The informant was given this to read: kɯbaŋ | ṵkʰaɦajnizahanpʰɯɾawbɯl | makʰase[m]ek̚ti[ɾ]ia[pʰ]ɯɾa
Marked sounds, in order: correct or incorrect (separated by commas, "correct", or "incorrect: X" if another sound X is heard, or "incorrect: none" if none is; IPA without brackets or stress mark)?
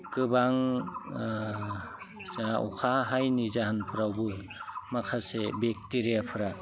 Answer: incorrect: b, correct, correct